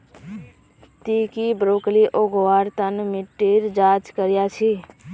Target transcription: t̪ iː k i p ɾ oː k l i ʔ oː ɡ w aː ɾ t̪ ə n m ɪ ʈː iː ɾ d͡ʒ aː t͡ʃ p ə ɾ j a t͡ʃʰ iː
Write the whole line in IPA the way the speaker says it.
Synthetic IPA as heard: t̪ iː k i b ɾ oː k l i ʔ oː ɡ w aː ɾ t̪ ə n m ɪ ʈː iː ɾ d͡ʒ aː t͡ʃ k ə ɾ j a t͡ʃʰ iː